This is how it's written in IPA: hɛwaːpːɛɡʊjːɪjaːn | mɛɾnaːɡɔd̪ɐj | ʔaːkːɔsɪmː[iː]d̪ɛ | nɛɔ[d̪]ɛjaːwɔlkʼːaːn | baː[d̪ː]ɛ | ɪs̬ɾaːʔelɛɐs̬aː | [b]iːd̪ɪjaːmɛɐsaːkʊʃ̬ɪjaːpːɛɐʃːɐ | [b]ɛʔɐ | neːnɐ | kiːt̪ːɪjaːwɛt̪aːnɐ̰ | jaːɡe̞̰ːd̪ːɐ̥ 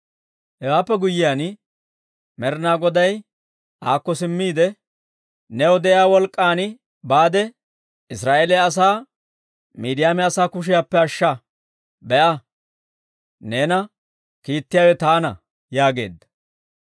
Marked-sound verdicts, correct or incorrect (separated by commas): correct, correct, incorrect, incorrect, correct